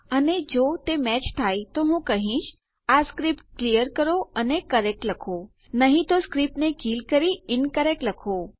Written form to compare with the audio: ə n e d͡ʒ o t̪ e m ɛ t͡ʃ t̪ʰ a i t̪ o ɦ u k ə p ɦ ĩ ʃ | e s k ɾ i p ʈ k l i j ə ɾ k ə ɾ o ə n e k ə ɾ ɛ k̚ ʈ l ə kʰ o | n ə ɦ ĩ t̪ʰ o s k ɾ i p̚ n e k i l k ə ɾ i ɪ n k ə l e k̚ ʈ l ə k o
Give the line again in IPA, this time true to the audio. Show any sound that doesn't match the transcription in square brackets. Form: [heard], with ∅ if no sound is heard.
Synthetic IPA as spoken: ə n e d͡ʒ o t̪ e m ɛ t͡ʃ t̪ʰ a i t̪ o ɦ [ũ] k ə [∅] ɦ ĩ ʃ | [a] s k ɾ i p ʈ k l i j ə ɾ k ə ɾ o ə n e k ə ɾ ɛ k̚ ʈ l ə kʰ o | n ə ɦ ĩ [t̪] o s k ɾ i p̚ n e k i l k ə ɾ i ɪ n k ə [ɾ] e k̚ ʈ l ə [kʰ] o